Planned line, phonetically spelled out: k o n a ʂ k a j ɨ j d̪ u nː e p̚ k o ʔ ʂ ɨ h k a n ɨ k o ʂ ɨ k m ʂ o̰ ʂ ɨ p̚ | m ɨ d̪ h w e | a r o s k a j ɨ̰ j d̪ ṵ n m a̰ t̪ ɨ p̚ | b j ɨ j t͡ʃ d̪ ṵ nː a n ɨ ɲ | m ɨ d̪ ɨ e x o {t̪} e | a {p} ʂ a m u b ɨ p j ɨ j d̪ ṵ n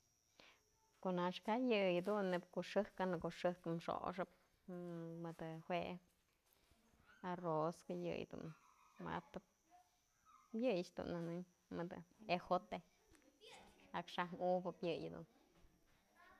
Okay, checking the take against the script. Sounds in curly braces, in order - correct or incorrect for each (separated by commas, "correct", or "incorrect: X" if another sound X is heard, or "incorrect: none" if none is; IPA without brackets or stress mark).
correct, incorrect: k